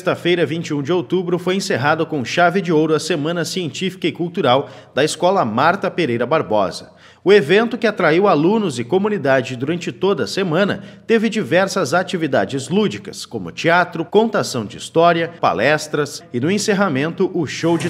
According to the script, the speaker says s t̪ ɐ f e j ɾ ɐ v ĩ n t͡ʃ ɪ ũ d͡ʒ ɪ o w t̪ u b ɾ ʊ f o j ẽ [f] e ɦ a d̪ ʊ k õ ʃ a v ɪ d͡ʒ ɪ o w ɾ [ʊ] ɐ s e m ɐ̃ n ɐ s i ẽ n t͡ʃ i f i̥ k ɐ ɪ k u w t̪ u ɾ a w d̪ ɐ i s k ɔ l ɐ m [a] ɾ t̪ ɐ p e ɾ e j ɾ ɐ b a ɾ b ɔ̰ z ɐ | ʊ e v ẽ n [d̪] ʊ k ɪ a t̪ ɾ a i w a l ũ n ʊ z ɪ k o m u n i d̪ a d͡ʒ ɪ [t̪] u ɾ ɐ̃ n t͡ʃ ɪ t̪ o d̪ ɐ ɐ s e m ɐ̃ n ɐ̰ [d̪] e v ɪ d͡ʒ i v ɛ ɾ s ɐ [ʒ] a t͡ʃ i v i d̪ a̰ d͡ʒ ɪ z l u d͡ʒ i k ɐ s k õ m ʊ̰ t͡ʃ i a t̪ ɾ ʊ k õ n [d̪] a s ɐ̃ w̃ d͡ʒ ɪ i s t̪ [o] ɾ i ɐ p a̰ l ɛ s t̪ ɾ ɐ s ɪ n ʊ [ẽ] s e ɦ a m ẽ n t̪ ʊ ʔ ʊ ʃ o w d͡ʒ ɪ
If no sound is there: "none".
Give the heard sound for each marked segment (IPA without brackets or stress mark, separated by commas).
s, ʊ, a, t̪, d̪, t̪, z, t̪, ɔ, ẽ